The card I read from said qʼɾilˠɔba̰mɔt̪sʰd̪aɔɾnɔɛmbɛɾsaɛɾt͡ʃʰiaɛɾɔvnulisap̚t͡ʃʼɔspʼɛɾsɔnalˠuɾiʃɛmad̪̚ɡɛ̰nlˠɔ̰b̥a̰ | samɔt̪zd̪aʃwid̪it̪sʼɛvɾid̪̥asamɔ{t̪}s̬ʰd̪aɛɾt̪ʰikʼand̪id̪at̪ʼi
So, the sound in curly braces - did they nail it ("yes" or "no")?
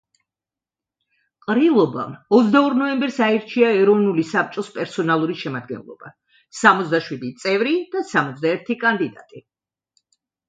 yes